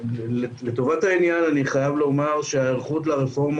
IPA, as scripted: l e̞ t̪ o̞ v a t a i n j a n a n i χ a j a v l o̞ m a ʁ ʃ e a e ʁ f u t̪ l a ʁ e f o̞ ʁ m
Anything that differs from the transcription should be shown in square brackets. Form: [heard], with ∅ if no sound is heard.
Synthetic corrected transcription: l e̞ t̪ o̞ v a t a i n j a n a n i χ a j a v l o̞ m a ʁ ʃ e a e ʁ [χ] u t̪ l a ʁ e f o̞ ʁ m